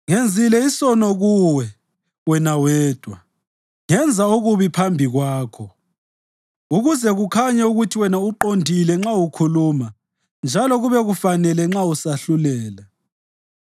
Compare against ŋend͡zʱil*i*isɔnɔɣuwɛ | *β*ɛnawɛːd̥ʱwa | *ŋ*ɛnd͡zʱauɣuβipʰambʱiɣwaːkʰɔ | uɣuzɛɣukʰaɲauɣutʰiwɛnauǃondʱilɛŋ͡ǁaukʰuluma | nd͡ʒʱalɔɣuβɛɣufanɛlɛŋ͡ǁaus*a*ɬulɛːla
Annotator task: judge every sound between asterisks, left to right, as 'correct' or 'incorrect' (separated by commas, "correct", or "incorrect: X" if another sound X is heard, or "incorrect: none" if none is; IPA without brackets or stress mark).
incorrect: ɛ, incorrect: w, correct, correct